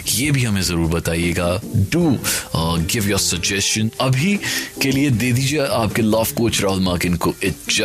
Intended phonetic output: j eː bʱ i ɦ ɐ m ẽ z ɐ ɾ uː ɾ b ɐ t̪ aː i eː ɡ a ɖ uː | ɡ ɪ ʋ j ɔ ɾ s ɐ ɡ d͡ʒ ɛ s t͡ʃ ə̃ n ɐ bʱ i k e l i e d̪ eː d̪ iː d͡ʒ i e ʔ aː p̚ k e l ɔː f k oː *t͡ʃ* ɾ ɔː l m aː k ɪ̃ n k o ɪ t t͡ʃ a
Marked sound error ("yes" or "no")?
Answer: no